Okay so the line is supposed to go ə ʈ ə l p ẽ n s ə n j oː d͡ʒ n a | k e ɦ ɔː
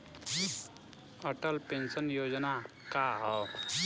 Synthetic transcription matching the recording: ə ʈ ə l p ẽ n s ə n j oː d͡ʒ n a | k a ɦ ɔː